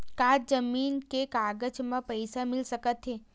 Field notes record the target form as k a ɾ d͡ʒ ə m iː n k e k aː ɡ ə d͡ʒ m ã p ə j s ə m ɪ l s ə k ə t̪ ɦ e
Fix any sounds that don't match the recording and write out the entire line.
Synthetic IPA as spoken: k a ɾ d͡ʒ ə m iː n k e k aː ɡ ə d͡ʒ m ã p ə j s a m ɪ l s ə k ə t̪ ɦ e

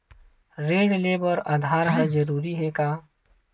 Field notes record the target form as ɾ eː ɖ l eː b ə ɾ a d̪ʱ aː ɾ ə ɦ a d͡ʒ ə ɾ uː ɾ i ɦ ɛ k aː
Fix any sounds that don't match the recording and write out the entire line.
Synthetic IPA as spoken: ɾ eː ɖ l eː b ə ɾ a d̪ʱ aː ɾ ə ɦ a d͡ʒ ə ɾ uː ɾ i ɦ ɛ k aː

